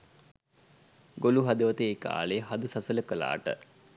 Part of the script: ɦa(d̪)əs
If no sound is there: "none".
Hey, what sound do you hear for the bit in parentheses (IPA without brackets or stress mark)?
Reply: d̪